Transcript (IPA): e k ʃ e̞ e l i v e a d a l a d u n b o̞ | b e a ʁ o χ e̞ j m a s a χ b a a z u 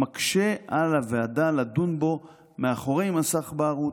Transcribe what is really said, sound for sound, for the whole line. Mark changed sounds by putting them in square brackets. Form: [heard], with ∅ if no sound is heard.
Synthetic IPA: [a] k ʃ e̞ [a] l [a] v e a d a l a d u n b o̞ | [m] e a [χ] o [ʁ] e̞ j m a s a χ b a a [ʁ] u